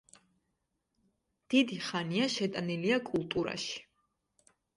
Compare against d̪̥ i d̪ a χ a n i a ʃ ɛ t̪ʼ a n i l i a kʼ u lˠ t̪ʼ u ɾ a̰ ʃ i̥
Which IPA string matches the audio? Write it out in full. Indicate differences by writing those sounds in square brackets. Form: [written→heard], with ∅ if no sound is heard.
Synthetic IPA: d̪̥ i d̪ [a→i] χ a n i a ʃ ɛ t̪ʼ a n i l i a kʼ u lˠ t̪ʼ u ɾ a̰ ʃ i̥

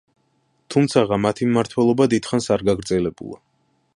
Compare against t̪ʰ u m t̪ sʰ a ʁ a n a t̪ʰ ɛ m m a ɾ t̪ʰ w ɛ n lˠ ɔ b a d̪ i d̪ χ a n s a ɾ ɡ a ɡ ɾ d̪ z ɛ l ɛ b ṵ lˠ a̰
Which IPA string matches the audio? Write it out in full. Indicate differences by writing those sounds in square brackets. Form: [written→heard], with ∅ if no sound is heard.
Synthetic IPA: t̪ʰ u m t̪ sʰ a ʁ a [n→m] a t̪ʰ [ɛ→i] m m a ɾ t̪ʰ w ɛ [n→∅] lˠ ɔ b a d̪ i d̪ χ a n s a ɾ ɡ a ɡ ɾ d̪ z ɛ l ɛ b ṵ lˠ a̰

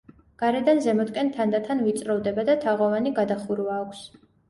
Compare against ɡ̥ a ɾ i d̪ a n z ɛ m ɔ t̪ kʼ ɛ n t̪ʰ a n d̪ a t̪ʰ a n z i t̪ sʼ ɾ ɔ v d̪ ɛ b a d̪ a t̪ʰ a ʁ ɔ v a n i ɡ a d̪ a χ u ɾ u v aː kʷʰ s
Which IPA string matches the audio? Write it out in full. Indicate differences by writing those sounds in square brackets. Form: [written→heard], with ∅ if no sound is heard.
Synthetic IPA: ɡ̥ a ɾ [i→ɛ] d̪ a n z ɛ m ɔ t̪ kʼ ɛ n t̪ʰ a n d̪ a t̪ʰ a n [z→v] i t̪ sʼ ɾ ɔ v d̪ ɛ b a d̪ a t̪ʰ a ʁ ɔ v a n i ɡ a d̪ a χ u ɾ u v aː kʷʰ s

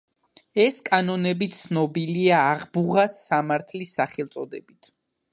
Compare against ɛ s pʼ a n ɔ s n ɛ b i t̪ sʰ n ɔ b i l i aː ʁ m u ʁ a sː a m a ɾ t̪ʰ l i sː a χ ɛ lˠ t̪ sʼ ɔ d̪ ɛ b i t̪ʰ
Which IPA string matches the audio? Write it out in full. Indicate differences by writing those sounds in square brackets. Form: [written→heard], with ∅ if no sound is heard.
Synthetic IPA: ɛ s [pʼ→kʼ] a n ɔ [s→∅] n ɛ b i t̪ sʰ n ɔ b i l i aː ʁ [m→b] u ʁ a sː a m a ɾ t̪ʰ l i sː a χ ɛ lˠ t̪ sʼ ɔ d̪ ɛ b i t̪ʰ

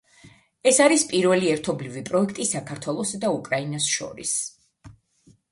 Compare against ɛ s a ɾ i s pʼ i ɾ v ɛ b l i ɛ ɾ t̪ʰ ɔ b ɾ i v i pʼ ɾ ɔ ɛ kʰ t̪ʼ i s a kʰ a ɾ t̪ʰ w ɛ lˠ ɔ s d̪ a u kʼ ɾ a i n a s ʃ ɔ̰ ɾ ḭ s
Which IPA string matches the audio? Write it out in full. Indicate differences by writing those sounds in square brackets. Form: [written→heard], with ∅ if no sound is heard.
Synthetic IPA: ɛ s a ɾ i s pʼ i ɾ v ɛ [b→∅] l i ɛ ɾ t̪ʰ ɔ b [ɾ→l] i v i pʼ ɾ ɔ ɛ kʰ t̪ʼ i s a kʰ a ɾ t̪ʰ w ɛ lˠ ɔ s d̪ a u kʼ ɾ a i n a s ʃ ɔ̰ ɾ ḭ s

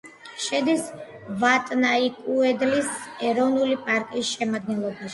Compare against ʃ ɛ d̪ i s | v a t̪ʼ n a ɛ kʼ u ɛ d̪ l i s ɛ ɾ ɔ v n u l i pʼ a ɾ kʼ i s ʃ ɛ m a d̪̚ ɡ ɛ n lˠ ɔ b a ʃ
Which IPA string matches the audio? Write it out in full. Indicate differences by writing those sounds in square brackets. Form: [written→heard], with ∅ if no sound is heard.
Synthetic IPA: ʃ ɛ d̪ i s | v a t̪ʼ n a [ɛ→i] kʼ u ɛ d̪ l i s ɛ ɾ ɔ v n u l i pʼ a ɾ kʼ i s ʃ ɛ m a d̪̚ ɡ ɛ n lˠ ɔ b a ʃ

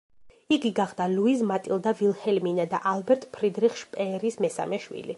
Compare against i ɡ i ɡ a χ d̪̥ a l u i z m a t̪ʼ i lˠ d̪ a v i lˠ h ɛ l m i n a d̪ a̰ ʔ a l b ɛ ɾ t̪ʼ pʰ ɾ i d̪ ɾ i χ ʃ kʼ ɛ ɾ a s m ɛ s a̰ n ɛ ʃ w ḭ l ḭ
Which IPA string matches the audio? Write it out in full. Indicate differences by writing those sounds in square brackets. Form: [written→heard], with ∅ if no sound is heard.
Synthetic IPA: i ɡ i ɡ a χ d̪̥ a l u i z m a t̪ʼ i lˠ d̪ a v i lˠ h ɛ l m i n a d̪ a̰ ʔ a l b ɛ ɾ t̪ʼ pʰ ɾ i d̪ ɾ i χ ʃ [kʼ→pʼ] ɛ ɾ [a→i] s m ɛ s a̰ [n→m] ɛ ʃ w ḭ l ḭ

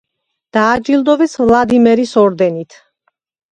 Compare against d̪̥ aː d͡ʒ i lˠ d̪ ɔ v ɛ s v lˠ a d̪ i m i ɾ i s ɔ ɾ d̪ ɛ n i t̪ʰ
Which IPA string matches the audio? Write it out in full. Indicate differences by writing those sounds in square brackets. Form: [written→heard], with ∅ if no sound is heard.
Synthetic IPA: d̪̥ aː d͡ʒ i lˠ d̪ ɔ v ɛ s v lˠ a d̪ i m [i→ɛ] ɾ i s ɔ ɾ d̪ ɛ n i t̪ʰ

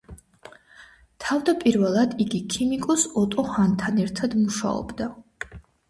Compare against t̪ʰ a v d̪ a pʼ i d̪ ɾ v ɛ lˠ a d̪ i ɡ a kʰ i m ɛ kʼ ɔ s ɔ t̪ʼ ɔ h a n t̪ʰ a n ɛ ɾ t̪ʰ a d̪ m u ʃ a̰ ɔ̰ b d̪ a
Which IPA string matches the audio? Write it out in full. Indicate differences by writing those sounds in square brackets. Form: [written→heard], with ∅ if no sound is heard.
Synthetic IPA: t̪ʰ a v d̪ a pʼ i [d̪→∅] ɾ v ɛ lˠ a d̪ i ɡ [a→i] kʰ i m [ɛ→i] kʼ ɔ s ɔ t̪ʼ ɔ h a n t̪ʰ a n ɛ ɾ t̪ʰ a d̪ m u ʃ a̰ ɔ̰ b d̪ a

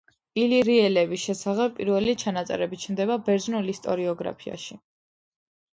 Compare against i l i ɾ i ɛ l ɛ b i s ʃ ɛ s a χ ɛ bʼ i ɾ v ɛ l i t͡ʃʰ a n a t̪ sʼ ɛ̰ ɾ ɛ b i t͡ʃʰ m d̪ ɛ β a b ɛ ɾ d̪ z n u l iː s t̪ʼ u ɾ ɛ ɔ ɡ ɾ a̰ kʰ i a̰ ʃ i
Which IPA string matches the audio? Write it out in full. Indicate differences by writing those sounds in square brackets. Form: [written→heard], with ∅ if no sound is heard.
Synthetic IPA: i l i ɾ i ɛ l ɛ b i s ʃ ɛ s a χ ɛ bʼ i ɾ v ɛ l i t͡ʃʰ a n a t̪ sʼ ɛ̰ ɾ ɛ b i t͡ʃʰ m d̪ ɛ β a b ɛ ɾ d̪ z n u l [iː→i] s t̪ʼ [u→ɔ] ɾ [ɛ→i] ɔ ɡ ɾ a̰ [kʰ→pʰ] i a̰ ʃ i

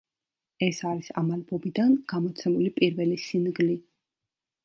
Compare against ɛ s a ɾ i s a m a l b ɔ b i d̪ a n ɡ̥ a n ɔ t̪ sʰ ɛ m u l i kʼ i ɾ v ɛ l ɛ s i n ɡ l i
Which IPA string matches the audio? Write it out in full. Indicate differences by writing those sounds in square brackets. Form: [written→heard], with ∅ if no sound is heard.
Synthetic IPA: ɛ s a ɾ i s a m a l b ɔ b i d̪ a n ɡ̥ a [n→m] ɔ t̪ sʰ ɛ m u l i [kʼ→pʼ] i ɾ v ɛ l [ɛ→i] s i n ɡ l i

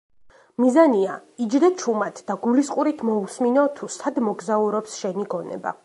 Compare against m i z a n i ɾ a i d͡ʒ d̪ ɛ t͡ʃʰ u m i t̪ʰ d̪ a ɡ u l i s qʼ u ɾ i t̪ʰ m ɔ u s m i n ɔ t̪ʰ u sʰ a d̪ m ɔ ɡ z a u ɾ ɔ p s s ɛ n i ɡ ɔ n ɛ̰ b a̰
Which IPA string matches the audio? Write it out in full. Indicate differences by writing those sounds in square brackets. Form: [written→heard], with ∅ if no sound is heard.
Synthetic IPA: m i z a n i [ɾ→∅] a i d͡ʒ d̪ ɛ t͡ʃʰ u m [i→a] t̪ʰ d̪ a ɡ u l i s qʼ u ɾ i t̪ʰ m ɔ u s m i n ɔ t̪ʰ u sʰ a d̪ m ɔ ɡ z a u ɾ ɔ p s [s→ʃ] ɛ n i ɡ ɔ n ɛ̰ b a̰

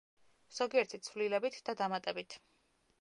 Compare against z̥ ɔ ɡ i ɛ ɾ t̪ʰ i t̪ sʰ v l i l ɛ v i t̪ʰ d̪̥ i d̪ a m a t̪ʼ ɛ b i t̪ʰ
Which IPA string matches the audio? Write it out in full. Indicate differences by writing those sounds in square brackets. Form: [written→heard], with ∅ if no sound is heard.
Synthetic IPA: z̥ ɔ ɡ i ɛ ɾ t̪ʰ i t̪ sʰ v l i l ɛ [v→b] i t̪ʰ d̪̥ [i→a] d̪ a m a t̪ʼ ɛ b i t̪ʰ

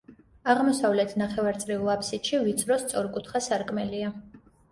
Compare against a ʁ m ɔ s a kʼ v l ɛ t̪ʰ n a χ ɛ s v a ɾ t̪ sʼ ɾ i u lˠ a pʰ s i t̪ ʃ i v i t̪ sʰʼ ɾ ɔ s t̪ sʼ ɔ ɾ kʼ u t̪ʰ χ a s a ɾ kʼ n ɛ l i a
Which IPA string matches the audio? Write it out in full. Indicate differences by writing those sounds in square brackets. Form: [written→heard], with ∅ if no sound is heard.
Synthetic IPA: a ʁ m ɔ s a [kʼ→∅] v l ɛ t̪ʰ n a χ ɛ [s→∅] v a ɾ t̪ sʼ ɾ i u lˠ a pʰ s i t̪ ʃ i v i t̪ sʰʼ ɾ ɔ s t̪ sʼ ɔ ɾ kʼ u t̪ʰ χ a s a ɾ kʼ [n→m] ɛ l i a

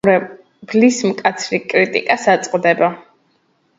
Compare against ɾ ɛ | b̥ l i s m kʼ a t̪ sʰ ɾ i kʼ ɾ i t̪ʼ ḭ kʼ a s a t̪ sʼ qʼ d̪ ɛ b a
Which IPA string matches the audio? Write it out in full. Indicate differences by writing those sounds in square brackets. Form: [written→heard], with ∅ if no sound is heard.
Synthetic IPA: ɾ ɛ | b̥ l i s m kʼ a t̪ sʰ ɾ i kʼ ɾ i t̪ʼ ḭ kʼ a s a t̪ sʼ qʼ d̪ ɛ b a

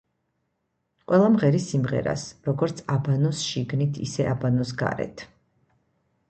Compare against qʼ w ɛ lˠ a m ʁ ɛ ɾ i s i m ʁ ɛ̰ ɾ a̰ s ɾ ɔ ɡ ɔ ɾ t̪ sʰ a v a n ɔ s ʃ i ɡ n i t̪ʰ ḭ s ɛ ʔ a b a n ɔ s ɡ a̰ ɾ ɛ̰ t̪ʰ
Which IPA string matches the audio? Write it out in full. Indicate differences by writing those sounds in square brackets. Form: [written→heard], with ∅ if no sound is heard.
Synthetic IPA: qʼ w ɛ lˠ a m ʁ ɛ ɾ i s i m ʁ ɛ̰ ɾ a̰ s ɾ ɔ ɡ ɔ ɾ t̪ sʰ a [v→b] a n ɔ s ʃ i ɡ n i t̪ʰ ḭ s ɛ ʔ a b a n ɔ s ɡ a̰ ɾ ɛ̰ t̪ʰ

